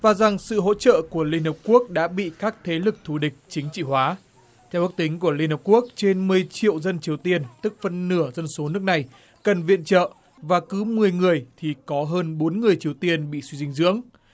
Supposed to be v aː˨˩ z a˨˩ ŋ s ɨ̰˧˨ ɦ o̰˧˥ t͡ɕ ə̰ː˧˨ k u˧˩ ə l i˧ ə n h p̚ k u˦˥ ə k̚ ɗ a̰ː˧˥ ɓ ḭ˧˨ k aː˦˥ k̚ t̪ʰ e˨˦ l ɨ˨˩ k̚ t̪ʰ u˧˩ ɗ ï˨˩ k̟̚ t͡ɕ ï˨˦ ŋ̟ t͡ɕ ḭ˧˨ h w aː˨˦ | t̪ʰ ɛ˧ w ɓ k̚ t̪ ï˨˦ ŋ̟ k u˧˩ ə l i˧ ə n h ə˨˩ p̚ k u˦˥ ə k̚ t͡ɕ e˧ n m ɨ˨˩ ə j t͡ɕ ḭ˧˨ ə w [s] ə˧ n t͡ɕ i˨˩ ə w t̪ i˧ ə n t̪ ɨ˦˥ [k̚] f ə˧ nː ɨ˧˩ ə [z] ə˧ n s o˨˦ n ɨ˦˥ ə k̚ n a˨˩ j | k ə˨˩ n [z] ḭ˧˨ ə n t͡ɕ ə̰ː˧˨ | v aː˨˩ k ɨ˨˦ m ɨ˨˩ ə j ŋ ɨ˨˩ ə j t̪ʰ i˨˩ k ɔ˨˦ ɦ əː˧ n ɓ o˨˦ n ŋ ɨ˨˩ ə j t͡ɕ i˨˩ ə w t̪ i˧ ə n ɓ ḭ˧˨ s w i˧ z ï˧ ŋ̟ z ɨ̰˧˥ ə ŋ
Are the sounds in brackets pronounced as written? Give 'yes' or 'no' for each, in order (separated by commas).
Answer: no, yes, yes, no